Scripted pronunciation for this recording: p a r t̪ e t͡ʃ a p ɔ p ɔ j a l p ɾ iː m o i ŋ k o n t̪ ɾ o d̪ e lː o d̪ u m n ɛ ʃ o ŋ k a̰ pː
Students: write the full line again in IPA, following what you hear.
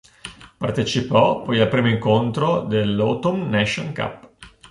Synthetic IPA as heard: p a r t̪ e t͡ʃ i p ɔ p ɔ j a l p ɾ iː m o i ŋ k o n t̪ ɾ o d̪ e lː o t̪ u m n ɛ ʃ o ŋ k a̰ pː